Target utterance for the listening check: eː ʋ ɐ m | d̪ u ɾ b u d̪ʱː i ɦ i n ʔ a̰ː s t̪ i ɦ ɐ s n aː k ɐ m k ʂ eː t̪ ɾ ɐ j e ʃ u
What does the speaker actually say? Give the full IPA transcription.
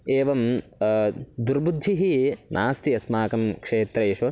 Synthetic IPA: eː ʋ ɐ m | d̪ u ɾ b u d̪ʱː i ɦ i n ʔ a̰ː s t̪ i ɐ s m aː k ɐ m k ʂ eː t̪ ɾ ɐ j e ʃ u